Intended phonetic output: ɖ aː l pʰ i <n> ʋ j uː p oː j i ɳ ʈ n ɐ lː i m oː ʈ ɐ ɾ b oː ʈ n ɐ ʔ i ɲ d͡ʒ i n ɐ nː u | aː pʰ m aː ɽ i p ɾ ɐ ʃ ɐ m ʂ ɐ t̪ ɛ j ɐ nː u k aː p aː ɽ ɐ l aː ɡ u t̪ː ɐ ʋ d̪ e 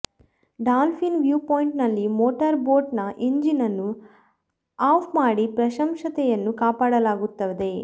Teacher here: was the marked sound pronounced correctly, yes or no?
yes